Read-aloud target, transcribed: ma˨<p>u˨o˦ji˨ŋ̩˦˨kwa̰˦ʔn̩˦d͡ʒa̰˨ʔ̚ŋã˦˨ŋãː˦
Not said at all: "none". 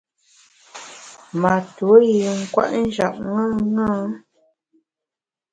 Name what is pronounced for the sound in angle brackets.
t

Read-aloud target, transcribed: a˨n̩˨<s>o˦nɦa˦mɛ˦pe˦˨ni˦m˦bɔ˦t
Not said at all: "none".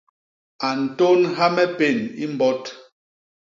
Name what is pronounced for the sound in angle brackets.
t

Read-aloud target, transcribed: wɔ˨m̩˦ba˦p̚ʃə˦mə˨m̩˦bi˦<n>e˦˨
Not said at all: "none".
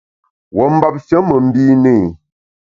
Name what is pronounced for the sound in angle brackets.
n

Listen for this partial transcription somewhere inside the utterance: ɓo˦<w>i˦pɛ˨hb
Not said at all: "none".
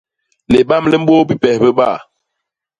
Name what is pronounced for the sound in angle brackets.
b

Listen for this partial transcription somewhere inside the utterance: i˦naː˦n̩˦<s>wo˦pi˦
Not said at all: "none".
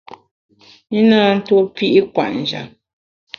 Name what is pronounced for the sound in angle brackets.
t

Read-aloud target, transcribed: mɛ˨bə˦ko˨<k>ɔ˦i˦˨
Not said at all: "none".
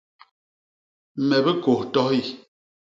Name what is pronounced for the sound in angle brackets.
t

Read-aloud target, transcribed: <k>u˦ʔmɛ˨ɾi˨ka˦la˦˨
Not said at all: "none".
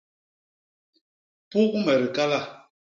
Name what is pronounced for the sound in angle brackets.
p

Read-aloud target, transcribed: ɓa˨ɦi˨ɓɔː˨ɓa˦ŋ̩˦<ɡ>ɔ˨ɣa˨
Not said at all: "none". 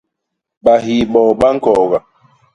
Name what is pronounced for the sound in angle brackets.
k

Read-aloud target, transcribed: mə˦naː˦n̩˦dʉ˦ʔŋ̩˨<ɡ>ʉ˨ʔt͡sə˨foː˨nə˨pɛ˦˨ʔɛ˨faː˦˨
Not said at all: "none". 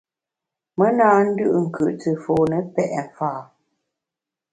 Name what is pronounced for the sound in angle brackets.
k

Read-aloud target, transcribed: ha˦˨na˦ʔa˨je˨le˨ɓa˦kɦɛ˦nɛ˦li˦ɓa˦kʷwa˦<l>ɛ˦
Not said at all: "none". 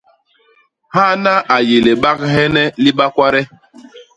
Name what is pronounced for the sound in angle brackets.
ɾ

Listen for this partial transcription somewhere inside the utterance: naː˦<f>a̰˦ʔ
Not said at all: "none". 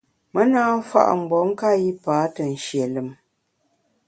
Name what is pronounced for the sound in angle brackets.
f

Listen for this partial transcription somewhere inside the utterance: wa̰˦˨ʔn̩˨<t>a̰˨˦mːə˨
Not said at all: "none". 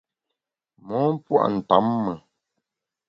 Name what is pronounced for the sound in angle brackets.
t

